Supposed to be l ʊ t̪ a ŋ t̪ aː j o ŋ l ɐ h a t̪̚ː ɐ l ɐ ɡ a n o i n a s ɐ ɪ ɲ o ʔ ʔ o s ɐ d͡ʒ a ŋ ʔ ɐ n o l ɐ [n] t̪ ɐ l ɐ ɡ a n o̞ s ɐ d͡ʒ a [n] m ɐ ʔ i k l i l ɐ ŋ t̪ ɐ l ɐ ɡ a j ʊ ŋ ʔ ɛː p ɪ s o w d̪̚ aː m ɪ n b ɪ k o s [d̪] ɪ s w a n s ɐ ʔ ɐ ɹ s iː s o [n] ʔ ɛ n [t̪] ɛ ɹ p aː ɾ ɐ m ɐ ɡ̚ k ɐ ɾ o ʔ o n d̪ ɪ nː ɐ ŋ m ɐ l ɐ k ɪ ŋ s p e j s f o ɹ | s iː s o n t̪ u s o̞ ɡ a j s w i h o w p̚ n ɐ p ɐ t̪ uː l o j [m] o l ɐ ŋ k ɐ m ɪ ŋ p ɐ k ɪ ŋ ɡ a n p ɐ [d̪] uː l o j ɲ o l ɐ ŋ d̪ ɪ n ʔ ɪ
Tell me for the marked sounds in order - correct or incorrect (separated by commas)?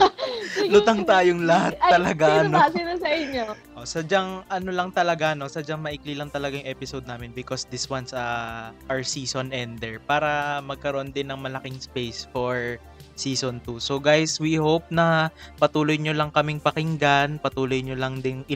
incorrect, incorrect, correct, correct, incorrect, incorrect, incorrect